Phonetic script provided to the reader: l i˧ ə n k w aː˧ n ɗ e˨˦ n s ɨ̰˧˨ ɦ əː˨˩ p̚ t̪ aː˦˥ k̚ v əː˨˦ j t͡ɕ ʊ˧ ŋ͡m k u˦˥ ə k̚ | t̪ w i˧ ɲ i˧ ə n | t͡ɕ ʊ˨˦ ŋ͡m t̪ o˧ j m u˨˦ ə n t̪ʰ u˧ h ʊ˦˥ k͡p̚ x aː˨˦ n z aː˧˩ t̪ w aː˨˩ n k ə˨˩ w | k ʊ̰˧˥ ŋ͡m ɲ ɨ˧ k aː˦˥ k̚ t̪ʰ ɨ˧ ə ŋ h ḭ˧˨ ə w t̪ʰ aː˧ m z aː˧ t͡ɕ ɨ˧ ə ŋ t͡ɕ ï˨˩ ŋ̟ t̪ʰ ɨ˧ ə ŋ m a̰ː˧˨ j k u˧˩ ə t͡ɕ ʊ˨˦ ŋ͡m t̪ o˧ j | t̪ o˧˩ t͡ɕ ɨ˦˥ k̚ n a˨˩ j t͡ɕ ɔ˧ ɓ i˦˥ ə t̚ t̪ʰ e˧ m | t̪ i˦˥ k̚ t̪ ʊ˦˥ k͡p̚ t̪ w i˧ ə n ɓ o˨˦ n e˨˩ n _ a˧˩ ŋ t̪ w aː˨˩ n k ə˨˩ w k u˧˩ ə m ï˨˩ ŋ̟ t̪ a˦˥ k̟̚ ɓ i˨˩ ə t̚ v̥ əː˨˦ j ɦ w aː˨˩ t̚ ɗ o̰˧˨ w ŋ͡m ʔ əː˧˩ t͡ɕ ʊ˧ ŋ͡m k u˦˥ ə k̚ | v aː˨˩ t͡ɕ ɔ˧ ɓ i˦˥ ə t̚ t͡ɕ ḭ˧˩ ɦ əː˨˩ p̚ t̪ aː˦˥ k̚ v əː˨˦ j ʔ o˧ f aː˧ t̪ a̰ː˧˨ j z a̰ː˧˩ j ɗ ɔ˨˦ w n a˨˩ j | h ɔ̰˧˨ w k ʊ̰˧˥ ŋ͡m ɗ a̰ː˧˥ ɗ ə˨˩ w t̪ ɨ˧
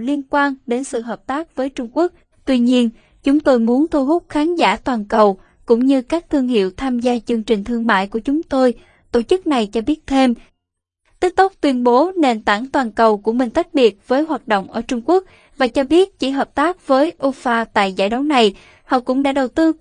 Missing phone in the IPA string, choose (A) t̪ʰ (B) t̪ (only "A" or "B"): B